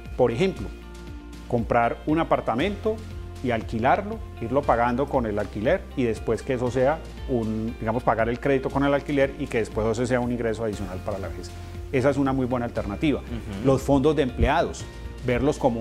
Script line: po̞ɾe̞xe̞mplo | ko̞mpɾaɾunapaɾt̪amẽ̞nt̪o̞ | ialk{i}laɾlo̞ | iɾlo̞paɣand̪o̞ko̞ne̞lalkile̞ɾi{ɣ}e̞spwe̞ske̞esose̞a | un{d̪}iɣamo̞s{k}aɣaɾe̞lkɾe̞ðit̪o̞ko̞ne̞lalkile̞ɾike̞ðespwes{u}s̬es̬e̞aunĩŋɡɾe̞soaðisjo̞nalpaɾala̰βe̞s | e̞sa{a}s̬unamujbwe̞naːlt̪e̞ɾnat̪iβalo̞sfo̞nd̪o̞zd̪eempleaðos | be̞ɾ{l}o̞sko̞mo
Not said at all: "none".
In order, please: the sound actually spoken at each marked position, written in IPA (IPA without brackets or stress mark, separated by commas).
i, ð, d̪, p, o, e, l